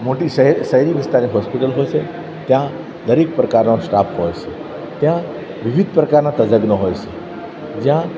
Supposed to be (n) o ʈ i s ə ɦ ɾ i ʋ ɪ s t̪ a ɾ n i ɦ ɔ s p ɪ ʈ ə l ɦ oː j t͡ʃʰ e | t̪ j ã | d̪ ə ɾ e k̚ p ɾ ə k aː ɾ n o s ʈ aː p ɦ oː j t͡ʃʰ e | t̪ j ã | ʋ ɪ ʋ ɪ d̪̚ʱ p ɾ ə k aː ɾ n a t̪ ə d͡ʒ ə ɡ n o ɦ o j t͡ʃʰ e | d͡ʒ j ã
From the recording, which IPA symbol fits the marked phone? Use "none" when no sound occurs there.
m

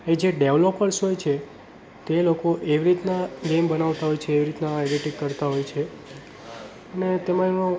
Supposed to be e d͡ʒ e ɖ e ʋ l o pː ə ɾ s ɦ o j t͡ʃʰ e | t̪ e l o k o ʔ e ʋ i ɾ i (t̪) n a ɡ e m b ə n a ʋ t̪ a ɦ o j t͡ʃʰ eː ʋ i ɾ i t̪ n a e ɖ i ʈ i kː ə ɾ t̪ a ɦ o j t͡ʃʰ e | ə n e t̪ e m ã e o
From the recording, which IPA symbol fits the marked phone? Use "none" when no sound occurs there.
t̪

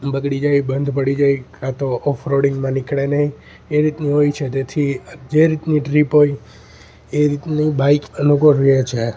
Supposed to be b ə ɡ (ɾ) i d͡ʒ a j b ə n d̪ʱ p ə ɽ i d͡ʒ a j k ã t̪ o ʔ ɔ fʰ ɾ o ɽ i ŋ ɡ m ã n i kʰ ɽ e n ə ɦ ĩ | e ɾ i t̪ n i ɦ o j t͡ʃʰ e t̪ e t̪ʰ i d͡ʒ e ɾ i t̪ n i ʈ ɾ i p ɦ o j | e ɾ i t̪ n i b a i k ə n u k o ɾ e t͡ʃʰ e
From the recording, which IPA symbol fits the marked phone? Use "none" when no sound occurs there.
ɽ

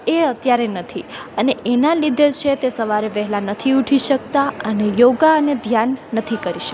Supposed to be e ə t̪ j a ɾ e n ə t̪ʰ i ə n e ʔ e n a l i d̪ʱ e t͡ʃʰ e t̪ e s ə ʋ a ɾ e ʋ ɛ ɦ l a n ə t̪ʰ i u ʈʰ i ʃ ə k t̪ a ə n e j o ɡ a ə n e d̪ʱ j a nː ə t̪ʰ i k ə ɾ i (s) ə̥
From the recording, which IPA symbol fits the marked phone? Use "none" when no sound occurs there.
ʃ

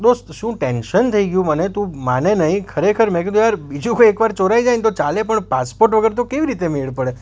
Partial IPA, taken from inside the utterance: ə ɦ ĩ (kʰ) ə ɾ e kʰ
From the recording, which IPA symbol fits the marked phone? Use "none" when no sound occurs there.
kʰ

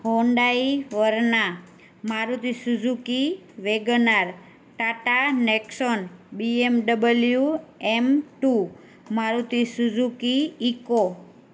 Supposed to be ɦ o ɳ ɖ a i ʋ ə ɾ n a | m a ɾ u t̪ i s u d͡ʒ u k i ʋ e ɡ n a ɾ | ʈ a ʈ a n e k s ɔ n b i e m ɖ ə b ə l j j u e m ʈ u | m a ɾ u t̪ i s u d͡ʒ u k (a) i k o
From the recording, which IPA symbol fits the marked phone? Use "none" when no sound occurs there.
i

